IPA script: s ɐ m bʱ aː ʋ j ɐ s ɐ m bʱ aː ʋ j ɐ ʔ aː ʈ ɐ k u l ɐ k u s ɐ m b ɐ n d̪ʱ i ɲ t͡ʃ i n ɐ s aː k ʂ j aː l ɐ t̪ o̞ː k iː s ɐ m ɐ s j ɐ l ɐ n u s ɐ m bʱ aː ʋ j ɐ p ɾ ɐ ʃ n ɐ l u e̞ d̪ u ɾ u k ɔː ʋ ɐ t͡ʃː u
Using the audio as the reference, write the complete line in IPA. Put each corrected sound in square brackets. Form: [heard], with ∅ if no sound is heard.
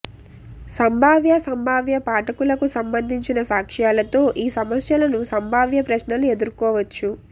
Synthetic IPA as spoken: s ɐ m bʱ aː ʋ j ɐ s ɐ m bʱ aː ʋ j ɐ [p] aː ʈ ɐ k u l ɐ k u s ɐ m b ɐ n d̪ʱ i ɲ t͡ʃ i n ɐ s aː k ʂ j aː l ɐ t̪ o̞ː [ʔ] iː s ɐ m ɐ s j ɐ l ɐ n u s ɐ m bʱ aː ʋ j ɐ p ɾ ɐ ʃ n ɐ l u e̞ d̪ u ɾ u k ɔː ʋ ɐ t͡ʃː u